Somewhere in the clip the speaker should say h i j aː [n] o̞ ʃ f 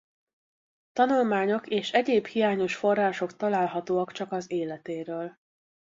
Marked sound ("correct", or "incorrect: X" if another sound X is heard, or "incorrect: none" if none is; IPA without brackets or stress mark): incorrect: ɲ